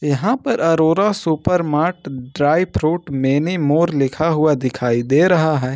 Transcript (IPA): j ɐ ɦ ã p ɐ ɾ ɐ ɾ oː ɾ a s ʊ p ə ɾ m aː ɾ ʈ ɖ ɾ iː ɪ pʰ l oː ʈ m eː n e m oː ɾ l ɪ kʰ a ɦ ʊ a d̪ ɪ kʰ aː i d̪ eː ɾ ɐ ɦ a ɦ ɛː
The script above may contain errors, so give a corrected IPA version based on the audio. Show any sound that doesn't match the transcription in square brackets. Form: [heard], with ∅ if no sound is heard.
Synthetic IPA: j ɐ ɦ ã p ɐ ɾ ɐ ɾ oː ɾ a s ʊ p ə ɾ m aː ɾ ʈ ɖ ɾ [aː] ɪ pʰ [ɾ] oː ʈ m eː n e m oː ɾ l ɪ kʰ a ɦ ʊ a d̪ ɪ kʰ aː i d̪ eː ɾ ɐ ɦ a ɦ ɛː